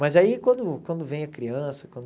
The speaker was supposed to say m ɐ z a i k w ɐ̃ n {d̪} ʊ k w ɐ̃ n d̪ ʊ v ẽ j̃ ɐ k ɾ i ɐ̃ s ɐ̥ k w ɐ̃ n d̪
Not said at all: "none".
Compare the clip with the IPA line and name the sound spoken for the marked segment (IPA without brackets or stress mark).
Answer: d̪